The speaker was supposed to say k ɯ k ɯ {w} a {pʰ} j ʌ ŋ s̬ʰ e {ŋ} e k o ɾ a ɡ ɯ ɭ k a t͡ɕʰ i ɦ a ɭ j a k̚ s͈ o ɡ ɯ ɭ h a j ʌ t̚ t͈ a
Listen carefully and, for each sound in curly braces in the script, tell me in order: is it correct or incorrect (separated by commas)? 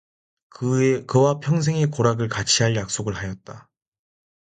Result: correct, correct, correct